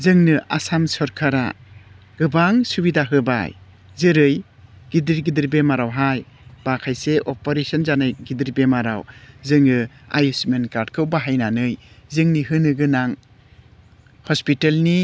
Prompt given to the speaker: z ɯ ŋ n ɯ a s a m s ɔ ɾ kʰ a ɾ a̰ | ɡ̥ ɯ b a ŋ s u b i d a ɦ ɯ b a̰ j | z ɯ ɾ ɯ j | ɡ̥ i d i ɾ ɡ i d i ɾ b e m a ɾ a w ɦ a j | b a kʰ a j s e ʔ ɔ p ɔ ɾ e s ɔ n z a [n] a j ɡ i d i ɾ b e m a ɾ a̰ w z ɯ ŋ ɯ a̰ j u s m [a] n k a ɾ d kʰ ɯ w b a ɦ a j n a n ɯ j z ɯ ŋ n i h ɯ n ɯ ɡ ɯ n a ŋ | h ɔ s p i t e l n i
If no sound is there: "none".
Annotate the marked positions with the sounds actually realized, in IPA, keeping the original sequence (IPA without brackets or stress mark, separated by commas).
n, e